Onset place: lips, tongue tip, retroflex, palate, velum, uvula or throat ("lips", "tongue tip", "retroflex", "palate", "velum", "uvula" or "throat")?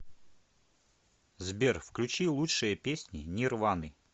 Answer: tongue tip